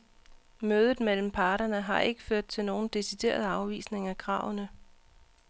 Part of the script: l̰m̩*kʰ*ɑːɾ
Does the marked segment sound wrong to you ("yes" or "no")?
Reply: yes